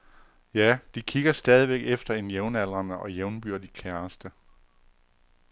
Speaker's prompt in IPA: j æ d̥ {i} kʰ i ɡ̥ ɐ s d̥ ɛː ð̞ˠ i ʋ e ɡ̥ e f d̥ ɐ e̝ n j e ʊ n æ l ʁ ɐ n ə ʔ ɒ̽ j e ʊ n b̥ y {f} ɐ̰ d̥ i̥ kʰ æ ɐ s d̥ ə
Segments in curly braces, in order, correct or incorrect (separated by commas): correct, incorrect